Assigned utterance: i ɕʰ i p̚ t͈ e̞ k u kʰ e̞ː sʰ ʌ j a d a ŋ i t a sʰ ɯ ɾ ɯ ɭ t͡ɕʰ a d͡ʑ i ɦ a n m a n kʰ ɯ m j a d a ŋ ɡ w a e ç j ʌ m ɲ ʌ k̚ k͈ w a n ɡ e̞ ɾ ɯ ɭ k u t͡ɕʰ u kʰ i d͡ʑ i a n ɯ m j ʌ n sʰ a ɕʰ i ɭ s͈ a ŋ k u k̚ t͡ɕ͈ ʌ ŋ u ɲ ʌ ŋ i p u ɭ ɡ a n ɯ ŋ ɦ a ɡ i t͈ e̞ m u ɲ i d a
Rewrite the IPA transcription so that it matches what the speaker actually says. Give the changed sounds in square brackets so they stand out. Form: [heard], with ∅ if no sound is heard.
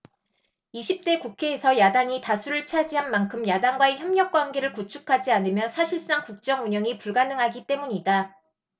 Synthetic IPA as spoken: i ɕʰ i p̚ t͈ e̞ k u kʰ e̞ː sʰ ʌ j a d a ŋ i t a sʰ [u] ɾ ɯ ɭ t͡ɕʰ a d͡ʑ i ɦ a n m a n kʰ ɯ m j a d a ŋ ɡ w a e ç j ʌ m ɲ ʌ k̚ k͈ w a n ɡ e̞ ɾ ɯ ɭ k u t͡ɕʰ u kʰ [a] d͡ʑ i a n ɯ m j ʌ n sʰ a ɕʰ i ɭ s͈ a ŋ k u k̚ t͡ɕ͈ ʌ ŋ u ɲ ʌ ŋ i p u ɭ ɡ a n ɯ ŋ ɦ a ɡ i t͈ e̞ m u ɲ i d a